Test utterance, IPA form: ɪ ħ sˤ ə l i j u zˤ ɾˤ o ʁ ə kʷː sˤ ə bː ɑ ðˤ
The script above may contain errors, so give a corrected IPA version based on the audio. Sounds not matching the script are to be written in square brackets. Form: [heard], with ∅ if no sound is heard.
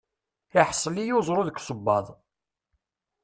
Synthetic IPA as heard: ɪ ħ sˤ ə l i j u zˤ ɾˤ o [ð] ə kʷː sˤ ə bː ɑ ðˤ